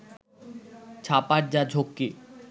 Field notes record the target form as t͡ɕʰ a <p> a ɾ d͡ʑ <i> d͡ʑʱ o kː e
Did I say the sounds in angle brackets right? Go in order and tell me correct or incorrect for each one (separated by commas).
correct, incorrect